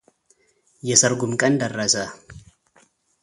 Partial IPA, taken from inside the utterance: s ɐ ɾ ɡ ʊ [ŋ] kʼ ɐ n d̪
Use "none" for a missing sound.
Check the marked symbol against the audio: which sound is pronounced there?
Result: m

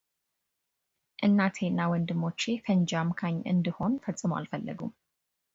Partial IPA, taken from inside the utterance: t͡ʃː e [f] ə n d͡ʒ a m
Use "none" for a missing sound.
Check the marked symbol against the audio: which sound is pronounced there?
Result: f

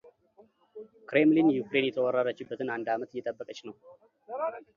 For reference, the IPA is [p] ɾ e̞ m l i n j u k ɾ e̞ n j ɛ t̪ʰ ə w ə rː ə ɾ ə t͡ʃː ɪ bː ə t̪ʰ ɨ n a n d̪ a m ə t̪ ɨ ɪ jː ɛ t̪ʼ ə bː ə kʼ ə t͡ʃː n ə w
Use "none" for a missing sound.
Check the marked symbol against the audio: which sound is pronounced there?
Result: k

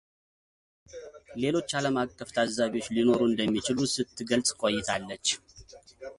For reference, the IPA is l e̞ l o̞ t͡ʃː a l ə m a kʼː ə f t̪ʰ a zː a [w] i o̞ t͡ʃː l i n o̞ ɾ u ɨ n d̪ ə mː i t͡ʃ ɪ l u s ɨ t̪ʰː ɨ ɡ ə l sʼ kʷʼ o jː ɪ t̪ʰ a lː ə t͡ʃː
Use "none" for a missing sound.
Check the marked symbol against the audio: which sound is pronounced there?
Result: β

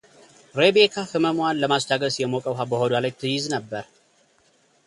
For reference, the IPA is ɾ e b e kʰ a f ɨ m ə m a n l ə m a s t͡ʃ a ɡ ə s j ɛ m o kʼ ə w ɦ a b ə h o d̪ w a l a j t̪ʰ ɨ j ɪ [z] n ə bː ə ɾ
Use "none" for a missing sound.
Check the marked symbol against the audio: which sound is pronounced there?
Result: z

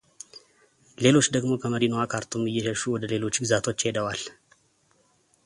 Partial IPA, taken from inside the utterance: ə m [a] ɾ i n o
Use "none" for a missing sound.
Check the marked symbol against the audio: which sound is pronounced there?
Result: ə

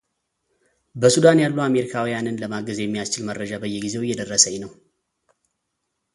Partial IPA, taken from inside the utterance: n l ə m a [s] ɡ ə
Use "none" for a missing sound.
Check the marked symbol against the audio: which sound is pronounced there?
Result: none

